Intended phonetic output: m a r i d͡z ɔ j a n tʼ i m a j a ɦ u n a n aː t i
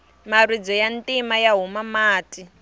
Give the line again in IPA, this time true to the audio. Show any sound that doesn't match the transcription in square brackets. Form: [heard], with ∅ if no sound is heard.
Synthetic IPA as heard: m a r i d͡z ɔ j a n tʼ i m a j a ɦ u [m] a [m] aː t i